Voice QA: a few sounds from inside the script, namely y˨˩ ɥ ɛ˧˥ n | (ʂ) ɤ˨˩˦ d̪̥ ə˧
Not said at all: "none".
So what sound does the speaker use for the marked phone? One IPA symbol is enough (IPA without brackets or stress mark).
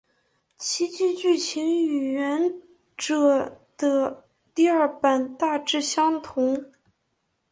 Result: ʈ͡ʂ